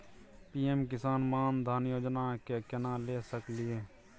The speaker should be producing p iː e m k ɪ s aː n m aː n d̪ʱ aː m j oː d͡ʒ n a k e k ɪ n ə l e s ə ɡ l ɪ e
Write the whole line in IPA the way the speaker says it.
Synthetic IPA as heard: p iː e m k ɪ s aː n m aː n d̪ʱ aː n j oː d͡ʒ n a k e k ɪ n a l e s ə k l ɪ e